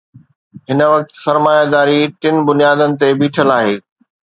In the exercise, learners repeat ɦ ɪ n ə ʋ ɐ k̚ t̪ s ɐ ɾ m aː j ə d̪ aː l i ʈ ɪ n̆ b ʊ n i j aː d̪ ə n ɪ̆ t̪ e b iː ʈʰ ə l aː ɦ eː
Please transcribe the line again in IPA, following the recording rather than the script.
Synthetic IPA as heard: ɦ ɪ n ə ʋ ɐ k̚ t̪ s ɐ ɾ m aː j a d̪ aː ɾ i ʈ ɪ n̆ b ʊ n i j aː d̪ ə n ɪ̆ t̪ e b iː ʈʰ ə l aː ɦ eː

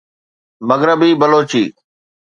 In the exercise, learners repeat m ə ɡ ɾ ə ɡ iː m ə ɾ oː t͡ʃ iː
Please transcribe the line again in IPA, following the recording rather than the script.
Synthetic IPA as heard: m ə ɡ ɾ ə b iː b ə l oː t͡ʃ iː

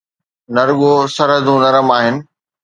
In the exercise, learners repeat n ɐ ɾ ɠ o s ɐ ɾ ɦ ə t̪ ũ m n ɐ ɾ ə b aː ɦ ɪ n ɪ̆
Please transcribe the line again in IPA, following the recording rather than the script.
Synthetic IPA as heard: n ɐ ɾ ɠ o s ɐ ɾ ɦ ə d̪ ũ n ɐ ɾ ə m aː ɦ ɪ n ɪ̆

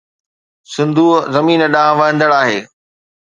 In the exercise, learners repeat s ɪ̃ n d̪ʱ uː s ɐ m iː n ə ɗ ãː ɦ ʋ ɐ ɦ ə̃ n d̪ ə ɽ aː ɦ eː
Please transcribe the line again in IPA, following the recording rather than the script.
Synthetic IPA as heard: s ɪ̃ n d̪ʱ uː z ɐ m iː n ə ɗ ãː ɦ ʋ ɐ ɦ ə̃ n d̪ ə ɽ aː ɦ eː

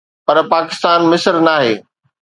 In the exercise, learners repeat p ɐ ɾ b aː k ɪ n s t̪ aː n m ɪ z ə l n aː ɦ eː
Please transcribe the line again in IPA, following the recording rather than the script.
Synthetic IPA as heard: p ɐ ɾ p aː k ɪ s t̪ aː n m ɪ s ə ɾ n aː ɦ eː

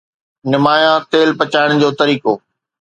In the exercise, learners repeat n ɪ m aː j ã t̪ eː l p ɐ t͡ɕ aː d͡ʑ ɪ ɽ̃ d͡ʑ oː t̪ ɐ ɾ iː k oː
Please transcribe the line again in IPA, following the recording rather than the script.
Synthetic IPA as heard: n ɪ m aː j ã t̪ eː l p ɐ t͡ɕ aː ɪ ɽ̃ d͡ʑ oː t̪ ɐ ɾ iː k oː

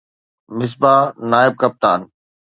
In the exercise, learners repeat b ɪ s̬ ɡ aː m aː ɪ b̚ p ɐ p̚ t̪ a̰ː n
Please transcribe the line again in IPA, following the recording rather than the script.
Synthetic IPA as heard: m ɪ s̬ b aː n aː ɪ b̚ k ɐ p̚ t̪ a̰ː n

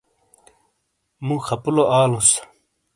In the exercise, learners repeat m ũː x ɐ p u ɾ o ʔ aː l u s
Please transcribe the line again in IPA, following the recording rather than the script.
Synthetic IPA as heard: m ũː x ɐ p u l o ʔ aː l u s

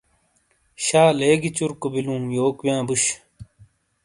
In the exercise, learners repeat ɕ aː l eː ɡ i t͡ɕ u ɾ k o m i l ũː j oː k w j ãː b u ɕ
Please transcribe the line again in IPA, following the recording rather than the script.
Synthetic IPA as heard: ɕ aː l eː ɡ i t͡ɕ u ɾ k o b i l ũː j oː k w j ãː b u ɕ

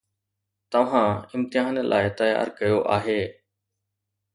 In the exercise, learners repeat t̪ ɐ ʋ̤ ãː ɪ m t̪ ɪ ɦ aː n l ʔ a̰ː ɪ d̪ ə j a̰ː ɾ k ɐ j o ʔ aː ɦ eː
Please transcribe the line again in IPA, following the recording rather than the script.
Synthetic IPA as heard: t̪ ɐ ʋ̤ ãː ɪ m t̪ ɪ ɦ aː n l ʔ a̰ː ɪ t̪ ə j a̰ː ɾ k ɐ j o ʔ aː ɦ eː

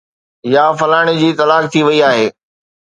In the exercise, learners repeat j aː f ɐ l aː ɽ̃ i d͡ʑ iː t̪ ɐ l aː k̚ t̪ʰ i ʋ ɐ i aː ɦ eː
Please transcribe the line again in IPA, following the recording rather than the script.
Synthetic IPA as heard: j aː f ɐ l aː ɽ̃ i d͡ʑ iː t̪ ɐ l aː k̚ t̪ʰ i ʋ ɐ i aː ɦ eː

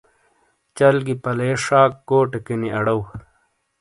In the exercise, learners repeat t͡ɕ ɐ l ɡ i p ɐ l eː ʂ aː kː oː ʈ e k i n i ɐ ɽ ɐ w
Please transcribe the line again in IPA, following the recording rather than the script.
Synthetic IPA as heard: t͡ɕ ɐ l ɡ i p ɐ l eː ʂ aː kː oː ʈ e k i n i ɐ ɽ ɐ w

